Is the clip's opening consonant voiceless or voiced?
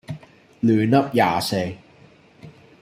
voiced